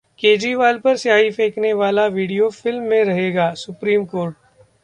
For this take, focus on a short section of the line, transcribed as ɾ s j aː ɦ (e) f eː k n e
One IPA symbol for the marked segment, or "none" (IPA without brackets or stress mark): i